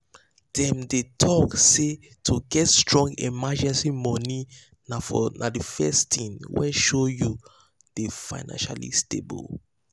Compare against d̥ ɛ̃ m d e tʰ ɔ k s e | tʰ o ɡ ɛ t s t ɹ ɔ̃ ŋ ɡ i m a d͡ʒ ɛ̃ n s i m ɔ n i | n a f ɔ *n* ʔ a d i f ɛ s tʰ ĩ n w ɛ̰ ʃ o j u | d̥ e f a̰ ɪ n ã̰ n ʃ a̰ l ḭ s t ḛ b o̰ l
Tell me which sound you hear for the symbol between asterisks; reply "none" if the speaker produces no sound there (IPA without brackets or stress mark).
n